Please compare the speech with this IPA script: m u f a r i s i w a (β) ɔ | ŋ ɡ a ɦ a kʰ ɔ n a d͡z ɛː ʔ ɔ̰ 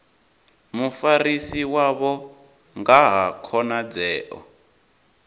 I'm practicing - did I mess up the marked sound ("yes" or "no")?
no